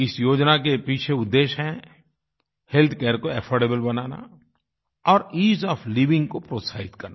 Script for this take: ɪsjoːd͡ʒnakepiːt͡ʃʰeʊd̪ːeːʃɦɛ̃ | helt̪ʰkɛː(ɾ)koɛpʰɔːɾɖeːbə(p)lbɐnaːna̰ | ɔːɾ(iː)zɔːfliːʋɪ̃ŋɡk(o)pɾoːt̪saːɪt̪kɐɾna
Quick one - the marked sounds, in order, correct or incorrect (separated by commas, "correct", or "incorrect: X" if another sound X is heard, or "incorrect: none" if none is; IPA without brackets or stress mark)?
correct, incorrect: none, correct, correct